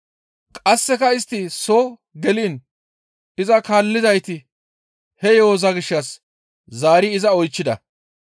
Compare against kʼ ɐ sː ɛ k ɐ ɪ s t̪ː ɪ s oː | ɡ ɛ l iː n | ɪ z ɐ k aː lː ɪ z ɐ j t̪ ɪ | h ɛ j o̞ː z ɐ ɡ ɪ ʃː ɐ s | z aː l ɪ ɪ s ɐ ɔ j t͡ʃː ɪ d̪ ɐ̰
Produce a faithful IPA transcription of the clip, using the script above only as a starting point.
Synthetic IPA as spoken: kʼ ɐ sː ɛ k ɐ ɪ s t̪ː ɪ s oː | ɡ ɛ l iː n | ɪ z ɐ k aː lː ɪ z ɐ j t̪ ɪ | h ɛ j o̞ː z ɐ ɡ ɪ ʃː ɐ s | z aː ɾ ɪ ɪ z ɐ ɔ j t͡ʃː ɪ d̪ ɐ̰